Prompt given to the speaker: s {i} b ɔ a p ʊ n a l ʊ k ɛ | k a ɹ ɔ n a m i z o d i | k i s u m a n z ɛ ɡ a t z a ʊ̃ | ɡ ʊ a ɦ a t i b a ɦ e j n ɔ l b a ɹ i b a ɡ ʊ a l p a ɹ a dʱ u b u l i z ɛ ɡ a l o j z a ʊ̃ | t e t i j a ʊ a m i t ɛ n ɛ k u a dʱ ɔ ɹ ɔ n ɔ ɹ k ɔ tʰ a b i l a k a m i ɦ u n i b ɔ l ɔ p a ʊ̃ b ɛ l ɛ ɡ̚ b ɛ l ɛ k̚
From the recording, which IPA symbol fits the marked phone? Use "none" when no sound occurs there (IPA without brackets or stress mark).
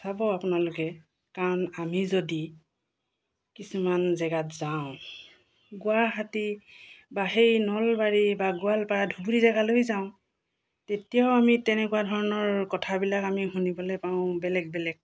a